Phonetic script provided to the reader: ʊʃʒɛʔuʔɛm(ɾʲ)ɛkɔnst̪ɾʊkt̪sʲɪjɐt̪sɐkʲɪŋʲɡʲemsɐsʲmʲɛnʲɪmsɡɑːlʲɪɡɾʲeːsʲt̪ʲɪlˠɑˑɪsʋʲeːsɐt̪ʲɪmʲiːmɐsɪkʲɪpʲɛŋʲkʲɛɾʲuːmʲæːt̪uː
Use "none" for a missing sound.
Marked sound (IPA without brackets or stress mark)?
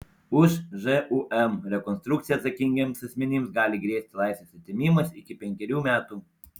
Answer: ɾʲ